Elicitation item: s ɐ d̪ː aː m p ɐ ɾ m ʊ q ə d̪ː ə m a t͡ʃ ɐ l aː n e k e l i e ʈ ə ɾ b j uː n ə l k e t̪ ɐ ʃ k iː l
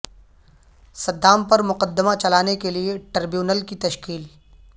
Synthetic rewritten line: s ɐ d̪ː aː m p ɐ ɾ m ʊ q ə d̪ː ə m a t͡ʃ ɐ l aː n e k e l i e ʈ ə ɾ b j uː n ə l k i t̪ ɐ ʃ k iː l